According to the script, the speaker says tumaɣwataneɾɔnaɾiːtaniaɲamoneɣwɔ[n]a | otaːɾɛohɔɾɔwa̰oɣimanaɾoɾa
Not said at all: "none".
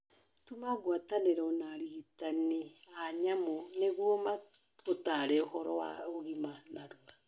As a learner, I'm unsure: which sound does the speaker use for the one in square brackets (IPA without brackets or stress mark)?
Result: m